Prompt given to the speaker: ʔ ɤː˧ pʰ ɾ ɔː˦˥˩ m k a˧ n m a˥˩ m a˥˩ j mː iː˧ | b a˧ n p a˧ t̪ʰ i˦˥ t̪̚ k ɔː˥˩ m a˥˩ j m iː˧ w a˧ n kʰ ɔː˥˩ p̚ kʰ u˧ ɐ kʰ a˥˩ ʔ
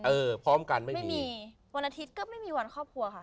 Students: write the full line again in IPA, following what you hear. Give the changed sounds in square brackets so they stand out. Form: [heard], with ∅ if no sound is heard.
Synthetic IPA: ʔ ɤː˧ pʰ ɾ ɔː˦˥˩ m k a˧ n m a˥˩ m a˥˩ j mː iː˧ | [w] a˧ n [ʔ] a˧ t̪ʰ i˦˥ t̪̚ k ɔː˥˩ m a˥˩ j m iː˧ w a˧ n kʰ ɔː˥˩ p̚ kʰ u˧ ɐ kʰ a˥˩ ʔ